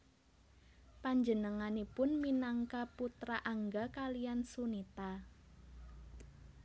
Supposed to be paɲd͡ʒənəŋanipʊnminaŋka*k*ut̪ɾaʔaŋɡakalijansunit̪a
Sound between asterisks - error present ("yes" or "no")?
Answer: yes